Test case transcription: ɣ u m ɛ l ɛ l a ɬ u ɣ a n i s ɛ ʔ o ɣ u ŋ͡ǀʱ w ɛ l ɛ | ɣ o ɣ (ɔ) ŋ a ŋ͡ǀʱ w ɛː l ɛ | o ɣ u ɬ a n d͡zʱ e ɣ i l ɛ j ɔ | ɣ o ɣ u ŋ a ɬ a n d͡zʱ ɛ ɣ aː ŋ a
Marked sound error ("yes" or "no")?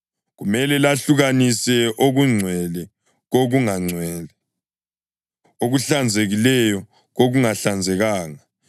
yes